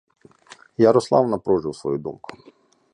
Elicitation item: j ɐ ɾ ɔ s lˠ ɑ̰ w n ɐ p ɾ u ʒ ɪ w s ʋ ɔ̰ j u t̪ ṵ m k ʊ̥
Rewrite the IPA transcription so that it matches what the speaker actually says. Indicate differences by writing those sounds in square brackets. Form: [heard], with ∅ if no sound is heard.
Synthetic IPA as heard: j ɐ ɾ ɔ s lˠ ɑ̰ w n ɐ p ɾ [ɔ] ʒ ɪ w s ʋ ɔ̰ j u [d̪] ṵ m k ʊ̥